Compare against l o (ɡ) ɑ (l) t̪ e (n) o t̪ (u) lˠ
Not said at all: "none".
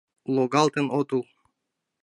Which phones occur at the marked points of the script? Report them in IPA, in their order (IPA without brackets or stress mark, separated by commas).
ɡ, l, n, u